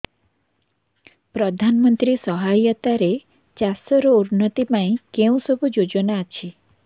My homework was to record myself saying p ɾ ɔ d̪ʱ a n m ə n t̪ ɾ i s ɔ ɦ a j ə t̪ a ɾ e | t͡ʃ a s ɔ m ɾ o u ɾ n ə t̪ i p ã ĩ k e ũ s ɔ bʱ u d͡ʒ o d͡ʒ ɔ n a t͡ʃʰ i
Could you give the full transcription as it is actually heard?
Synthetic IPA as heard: p ɾ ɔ d̪ʱ a n m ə n t̪ ɾ i s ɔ ɦ a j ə t̪ a ɾ e | t͡ʃ a s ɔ ɾ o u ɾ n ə t̪ i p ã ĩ k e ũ s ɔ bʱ u d͡ʒ o d͡ʒ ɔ n a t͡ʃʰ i